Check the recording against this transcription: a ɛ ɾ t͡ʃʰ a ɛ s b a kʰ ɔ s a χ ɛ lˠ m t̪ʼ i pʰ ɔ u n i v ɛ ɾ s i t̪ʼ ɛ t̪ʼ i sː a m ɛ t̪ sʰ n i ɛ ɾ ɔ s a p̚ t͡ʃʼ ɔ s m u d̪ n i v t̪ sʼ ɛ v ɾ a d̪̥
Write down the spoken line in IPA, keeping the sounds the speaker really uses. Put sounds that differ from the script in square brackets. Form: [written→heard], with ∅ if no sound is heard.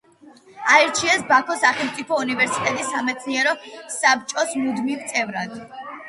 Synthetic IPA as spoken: a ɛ ɾ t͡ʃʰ [a→i] ɛ s b a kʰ ɔ s a χ ɛ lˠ m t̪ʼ i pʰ ɔ u n i v ɛ ɾ s i t̪ʼ ɛ t̪ʼ i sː a m ɛ t̪ sʰ n i ɛ ɾ ɔ s a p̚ t͡ʃʼ ɔ s m u d̪ [n→m] i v t̪ sʼ ɛ v ɾ a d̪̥